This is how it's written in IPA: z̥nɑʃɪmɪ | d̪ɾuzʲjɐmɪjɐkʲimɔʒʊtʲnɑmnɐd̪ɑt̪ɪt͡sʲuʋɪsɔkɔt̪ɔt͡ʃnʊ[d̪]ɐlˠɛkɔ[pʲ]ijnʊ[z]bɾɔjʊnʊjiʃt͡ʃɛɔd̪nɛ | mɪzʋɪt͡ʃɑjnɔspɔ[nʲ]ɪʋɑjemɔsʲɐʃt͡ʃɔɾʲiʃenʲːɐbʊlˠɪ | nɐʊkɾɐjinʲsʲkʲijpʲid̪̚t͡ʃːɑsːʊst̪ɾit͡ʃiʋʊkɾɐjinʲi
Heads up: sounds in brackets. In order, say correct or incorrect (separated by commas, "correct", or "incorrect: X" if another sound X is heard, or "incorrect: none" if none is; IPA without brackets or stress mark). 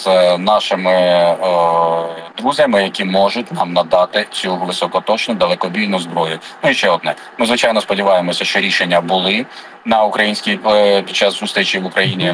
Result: correct, incorrect: bʲ, correct, incorrect: dʲ